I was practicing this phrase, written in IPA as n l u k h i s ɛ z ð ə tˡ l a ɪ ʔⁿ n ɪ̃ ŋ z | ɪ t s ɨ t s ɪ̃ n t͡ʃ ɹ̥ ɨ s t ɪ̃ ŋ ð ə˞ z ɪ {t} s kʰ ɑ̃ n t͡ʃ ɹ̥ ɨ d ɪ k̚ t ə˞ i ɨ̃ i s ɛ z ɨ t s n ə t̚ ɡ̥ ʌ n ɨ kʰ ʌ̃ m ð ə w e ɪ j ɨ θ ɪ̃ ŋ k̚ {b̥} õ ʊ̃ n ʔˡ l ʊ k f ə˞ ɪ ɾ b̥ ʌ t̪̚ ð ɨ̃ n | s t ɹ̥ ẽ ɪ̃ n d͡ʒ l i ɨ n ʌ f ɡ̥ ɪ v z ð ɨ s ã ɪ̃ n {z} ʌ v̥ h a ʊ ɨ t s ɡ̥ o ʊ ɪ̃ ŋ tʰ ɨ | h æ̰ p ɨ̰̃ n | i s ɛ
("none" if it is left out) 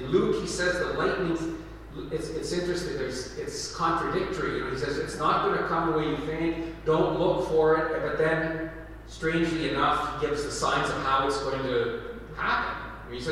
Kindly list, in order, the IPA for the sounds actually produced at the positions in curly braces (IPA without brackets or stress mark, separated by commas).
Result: t, d̥, z